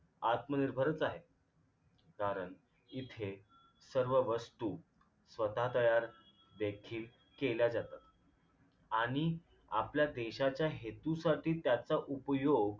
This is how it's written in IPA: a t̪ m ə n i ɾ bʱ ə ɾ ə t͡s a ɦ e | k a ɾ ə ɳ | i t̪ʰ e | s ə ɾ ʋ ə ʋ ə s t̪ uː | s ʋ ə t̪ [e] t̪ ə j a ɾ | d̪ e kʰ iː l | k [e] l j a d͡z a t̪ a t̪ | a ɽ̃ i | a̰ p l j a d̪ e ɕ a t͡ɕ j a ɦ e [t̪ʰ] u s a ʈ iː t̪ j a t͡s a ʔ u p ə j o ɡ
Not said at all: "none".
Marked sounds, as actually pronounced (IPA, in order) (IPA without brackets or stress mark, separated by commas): a, e, t̪